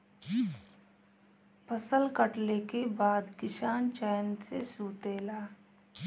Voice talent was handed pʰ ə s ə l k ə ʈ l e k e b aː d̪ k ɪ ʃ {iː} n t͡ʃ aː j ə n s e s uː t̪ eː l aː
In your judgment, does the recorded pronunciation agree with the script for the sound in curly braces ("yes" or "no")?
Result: no